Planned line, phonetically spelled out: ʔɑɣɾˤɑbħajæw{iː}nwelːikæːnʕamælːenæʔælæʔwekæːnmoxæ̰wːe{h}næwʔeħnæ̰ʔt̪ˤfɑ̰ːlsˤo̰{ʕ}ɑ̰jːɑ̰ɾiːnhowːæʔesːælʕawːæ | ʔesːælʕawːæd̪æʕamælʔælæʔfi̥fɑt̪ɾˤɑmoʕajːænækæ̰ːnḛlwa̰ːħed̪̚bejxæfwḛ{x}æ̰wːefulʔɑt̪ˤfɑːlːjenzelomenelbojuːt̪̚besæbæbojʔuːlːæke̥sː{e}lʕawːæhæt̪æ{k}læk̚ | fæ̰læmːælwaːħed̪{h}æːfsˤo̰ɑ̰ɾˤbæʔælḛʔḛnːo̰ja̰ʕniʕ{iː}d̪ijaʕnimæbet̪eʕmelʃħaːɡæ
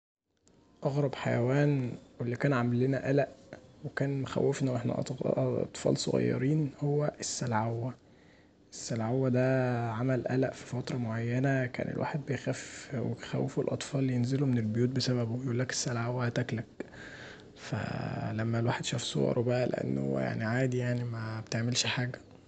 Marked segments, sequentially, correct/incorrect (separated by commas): incorrect, incorrect, incorrect, correct, incorrect, correct, incorrect, incorrect